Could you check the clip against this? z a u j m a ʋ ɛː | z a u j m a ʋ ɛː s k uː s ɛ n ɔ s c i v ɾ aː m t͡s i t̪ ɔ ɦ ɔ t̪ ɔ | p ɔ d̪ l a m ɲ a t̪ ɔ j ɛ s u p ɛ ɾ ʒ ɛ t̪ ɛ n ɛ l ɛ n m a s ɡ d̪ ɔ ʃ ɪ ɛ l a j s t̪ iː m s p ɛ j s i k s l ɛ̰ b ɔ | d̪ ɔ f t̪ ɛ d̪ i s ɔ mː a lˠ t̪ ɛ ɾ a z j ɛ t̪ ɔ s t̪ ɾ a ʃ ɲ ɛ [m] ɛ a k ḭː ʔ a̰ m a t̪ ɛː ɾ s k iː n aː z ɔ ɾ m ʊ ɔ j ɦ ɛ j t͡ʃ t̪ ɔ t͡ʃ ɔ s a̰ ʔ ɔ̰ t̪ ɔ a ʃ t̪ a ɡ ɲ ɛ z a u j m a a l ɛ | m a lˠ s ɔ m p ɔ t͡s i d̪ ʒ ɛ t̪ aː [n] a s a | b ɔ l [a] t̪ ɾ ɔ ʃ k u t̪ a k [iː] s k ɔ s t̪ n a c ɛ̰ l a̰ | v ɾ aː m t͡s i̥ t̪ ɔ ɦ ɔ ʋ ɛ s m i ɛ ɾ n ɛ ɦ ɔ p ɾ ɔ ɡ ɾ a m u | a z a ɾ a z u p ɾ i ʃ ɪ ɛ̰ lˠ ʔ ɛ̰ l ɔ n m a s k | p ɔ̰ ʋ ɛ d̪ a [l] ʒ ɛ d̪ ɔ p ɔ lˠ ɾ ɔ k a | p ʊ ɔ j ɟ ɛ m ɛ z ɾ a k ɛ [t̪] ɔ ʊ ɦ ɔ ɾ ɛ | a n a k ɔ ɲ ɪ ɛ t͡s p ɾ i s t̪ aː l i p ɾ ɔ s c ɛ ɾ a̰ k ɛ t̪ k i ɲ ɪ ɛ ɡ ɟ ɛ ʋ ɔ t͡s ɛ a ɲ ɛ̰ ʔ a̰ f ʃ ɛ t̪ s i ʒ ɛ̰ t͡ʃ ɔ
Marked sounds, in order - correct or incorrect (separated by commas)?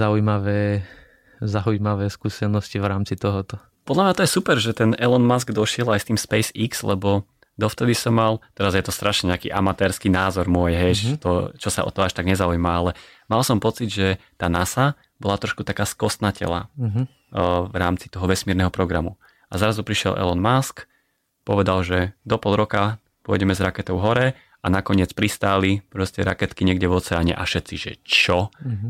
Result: incorrect, correct, correct, incorrect, correct, correct